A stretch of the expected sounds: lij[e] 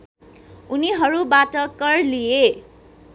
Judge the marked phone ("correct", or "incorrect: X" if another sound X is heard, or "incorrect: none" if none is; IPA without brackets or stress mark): correct